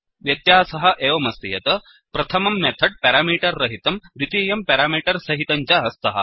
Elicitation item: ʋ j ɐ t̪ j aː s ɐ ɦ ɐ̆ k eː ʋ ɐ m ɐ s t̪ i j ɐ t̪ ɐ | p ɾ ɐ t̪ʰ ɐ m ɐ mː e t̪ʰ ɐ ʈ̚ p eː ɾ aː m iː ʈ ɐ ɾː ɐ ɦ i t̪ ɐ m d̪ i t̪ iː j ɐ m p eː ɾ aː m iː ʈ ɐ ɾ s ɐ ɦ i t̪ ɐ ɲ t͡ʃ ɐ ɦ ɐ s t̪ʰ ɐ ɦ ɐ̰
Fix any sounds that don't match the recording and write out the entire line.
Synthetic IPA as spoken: ʋ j ɐ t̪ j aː s ɐ ɦ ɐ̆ ʔ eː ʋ ɐ m ɐ s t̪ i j ɐ t̪ ɐ | p ɾ ɐ t̪ʰ ɐ m ɐ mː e t̪ʰ ɐ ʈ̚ p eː ɾ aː m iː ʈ ɐ ɾː ɐ ɦ i t̪ ɐ m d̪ i t̪ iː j ɐ m p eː ɾ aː m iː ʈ ɐ ɾ s ɐ ɦ i t̪ ɐ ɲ t͡ʃ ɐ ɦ ɐ s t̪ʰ ɐ ɦ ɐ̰